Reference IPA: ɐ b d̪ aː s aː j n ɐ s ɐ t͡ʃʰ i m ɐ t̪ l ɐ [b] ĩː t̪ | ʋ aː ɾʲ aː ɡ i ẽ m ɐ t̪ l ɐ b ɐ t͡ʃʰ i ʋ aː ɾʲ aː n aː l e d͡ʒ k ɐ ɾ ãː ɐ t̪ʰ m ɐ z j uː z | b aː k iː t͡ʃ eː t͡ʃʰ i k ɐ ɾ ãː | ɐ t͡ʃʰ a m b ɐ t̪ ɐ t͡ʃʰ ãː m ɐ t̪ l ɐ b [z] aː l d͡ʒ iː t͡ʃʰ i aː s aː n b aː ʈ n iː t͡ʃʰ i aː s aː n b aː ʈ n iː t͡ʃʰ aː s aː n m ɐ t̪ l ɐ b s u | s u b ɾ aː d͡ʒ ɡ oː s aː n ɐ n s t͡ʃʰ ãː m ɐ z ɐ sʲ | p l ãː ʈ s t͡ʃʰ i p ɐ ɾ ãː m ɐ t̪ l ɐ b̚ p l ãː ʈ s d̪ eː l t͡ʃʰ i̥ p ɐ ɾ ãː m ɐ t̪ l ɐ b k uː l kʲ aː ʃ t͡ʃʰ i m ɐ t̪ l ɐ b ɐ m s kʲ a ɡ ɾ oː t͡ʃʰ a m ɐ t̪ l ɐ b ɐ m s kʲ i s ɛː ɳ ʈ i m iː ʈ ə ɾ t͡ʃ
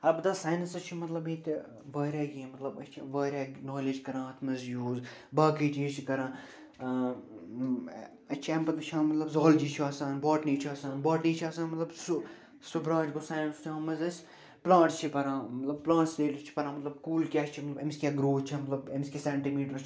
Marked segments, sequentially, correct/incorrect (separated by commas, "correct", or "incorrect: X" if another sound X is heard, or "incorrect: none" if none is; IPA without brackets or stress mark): correct, correct